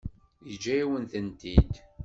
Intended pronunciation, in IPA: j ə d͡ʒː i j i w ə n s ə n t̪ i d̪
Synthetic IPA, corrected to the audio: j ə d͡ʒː æ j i w ə n θ ə n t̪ i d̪